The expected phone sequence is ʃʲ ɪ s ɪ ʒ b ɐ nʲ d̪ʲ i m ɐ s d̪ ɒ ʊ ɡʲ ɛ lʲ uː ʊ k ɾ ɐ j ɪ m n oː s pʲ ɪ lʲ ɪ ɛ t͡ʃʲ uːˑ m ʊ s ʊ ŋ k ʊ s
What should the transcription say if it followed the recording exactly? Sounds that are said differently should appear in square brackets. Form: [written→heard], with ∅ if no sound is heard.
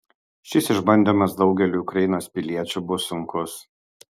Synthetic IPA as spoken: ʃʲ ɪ s ɪ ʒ b ɐ nʲ d̪ʲ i m ɐ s d̪ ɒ ʊ ɡʲ ɛ lʲ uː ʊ k ɾ ɐ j ɪ [m→∅] n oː s pʲ ɪ lʲ [ɪ→i] ɛ t͡ʃʲ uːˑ [m→b] ʊ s ʊ ŋ k ʊ s